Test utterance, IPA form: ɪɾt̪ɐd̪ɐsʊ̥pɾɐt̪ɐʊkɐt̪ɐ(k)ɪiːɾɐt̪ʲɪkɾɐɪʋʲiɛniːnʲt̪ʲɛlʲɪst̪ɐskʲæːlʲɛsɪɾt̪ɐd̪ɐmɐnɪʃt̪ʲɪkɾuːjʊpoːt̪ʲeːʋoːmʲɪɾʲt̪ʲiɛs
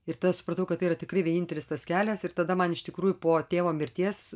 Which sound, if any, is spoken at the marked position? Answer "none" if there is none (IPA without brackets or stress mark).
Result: none